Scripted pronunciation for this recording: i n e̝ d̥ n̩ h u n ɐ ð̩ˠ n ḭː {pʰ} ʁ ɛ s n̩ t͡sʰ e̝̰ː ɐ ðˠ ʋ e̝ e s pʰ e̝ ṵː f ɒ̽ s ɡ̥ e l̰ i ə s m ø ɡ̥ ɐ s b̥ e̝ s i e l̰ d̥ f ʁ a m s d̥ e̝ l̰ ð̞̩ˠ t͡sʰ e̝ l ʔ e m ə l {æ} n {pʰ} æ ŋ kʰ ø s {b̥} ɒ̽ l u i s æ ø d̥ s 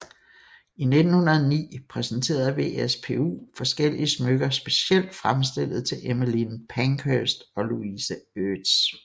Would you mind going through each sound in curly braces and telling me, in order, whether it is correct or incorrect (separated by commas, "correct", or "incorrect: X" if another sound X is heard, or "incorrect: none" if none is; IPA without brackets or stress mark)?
correct, incorrect: i, correct, incorrect: d̥